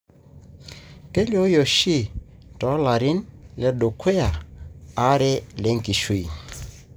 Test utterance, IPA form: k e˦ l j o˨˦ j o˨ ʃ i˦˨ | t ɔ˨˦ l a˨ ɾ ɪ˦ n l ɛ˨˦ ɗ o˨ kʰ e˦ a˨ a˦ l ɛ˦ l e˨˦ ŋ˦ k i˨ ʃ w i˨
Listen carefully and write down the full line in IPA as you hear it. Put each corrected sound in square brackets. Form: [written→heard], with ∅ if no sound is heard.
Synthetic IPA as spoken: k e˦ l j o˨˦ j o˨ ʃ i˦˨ | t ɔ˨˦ l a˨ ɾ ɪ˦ n l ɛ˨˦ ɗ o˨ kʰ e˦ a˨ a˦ [l→ɾ] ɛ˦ l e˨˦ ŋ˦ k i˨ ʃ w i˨